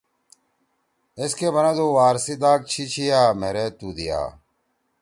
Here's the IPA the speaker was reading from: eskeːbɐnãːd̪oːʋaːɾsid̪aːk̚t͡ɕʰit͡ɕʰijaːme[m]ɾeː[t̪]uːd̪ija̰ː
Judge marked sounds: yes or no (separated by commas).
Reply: no, yes